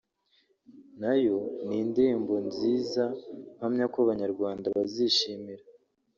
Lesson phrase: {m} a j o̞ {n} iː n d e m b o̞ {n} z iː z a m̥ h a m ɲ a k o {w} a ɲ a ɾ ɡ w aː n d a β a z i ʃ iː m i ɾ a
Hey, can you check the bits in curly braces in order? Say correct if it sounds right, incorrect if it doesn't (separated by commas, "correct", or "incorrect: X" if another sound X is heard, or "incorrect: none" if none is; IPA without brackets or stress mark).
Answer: incorrect: n, correct, correct, incorrect: β